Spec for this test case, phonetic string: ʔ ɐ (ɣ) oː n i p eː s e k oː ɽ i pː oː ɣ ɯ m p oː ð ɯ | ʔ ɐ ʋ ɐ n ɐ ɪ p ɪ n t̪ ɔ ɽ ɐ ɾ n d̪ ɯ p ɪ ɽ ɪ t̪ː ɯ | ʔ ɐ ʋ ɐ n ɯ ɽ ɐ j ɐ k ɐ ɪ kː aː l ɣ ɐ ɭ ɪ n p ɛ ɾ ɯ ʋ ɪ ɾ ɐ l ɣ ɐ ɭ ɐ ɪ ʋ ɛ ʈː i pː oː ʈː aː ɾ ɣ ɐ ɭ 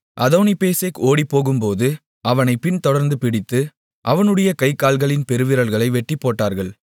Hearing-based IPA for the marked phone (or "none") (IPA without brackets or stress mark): ð